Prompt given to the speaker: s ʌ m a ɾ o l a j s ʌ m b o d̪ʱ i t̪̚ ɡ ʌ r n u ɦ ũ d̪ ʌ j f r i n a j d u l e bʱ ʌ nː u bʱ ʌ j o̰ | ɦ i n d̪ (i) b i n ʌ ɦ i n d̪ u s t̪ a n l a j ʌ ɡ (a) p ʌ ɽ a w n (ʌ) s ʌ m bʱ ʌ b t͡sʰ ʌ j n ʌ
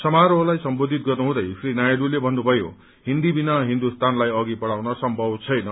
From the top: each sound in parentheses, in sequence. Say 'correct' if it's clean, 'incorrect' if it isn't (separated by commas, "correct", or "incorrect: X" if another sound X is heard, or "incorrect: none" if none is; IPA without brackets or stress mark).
correct, incorrect: i, correct